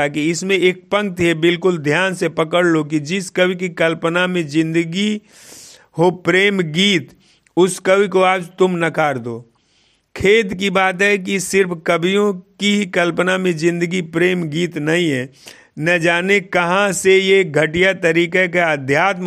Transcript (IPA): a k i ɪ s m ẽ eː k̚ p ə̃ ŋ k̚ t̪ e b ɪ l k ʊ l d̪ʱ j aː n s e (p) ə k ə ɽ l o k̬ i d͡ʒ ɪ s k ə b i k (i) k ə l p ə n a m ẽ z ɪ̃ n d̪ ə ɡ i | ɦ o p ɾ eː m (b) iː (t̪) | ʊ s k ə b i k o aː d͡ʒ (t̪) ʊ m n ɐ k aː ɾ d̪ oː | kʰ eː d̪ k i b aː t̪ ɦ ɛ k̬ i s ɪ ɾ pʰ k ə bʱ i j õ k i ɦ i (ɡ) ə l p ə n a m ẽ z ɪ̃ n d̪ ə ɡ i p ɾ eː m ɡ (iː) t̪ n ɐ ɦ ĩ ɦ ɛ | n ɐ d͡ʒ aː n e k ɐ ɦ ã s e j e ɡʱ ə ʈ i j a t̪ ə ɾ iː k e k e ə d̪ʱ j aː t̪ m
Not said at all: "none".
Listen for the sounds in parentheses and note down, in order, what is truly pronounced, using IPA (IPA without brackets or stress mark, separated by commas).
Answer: p, i, ɡ, t̪, t̪, k, iː